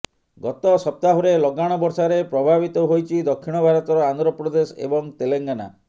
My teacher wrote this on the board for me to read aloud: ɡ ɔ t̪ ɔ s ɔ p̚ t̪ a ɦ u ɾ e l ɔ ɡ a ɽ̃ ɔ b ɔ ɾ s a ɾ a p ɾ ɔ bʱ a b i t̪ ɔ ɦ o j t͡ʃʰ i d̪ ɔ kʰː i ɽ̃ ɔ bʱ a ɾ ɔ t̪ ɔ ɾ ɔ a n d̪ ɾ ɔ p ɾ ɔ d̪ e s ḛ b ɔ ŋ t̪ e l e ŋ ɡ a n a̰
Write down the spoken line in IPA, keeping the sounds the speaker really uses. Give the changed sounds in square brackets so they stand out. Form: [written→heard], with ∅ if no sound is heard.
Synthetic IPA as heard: ɡ ɔ t̪ ɔ s ɔ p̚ t̪ a ɦ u ɾ e l ɔ ɡ a ɽ̃ ɔ b ɔ ɾ s a ɾ [a→e] p ɾ ɔ bʱ a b i t̪ ɔ ɦ o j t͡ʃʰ i d̪ ɔ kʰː i ɽ̃ ɔ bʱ a ɾ ɔ t̪ ɔ ɾ ɔ a n d̪ ɾ ɔ p ɾ ɔ d̪ e s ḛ b ɔ ŋ t̪ e l e ŋ ɡ a n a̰